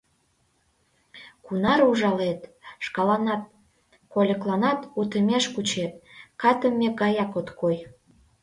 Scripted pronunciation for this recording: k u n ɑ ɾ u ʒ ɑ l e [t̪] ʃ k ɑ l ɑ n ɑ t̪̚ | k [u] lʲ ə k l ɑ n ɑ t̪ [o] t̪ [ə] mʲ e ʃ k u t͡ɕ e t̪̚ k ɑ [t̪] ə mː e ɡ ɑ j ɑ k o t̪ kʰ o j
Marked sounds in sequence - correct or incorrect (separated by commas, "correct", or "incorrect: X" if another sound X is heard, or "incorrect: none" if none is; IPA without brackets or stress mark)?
correct, incorrect: o, incorrect: u, correct, correct